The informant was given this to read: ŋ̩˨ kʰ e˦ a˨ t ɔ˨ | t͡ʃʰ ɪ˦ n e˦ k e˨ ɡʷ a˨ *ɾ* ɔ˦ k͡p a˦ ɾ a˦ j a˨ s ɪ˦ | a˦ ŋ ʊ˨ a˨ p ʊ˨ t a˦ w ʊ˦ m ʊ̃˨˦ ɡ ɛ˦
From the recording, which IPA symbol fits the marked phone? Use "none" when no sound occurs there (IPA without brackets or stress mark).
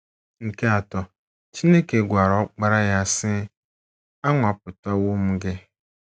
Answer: ɾ